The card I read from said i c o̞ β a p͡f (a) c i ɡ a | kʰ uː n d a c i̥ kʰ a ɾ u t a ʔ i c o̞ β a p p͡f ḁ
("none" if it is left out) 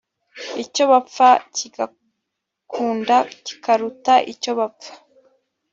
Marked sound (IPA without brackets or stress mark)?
a